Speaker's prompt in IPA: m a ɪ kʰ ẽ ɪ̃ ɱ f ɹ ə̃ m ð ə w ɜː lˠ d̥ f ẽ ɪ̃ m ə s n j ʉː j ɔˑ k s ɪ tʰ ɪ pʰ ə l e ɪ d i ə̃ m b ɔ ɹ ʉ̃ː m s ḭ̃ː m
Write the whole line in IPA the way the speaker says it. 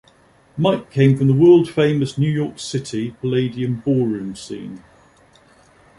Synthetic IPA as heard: m a ɪ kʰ ẽ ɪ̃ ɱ f ɹ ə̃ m ð ə w ɜː lˠ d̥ f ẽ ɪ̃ m ə s n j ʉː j ɔˑ k s ɪ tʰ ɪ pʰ ə l e ɪ d i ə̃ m b ɔː ɹ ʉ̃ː m s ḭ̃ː n